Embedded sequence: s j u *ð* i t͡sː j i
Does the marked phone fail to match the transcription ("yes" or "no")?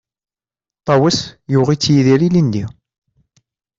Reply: yes